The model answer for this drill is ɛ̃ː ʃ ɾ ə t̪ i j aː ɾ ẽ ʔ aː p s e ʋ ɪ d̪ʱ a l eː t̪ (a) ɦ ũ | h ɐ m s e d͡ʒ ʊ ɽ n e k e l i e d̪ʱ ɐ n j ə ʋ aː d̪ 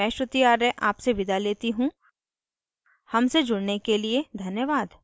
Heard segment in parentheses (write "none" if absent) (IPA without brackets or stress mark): i